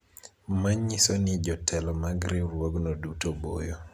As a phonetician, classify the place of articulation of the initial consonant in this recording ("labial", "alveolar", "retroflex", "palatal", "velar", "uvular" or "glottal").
labial